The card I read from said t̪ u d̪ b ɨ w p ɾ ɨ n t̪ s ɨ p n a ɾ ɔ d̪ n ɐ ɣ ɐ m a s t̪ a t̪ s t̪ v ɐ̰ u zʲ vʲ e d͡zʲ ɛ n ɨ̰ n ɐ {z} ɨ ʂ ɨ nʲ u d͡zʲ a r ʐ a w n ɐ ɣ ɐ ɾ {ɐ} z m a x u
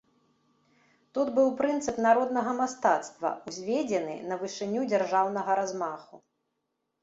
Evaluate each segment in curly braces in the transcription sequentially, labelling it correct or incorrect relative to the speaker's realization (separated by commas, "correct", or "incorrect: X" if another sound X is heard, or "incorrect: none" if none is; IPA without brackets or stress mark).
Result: incorrect: v, incorrect: a